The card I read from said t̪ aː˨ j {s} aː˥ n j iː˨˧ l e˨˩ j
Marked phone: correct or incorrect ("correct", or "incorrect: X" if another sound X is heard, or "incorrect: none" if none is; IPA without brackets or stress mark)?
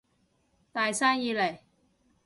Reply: correct